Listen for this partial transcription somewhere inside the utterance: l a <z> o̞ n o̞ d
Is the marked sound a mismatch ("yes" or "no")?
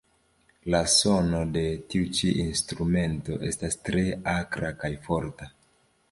yes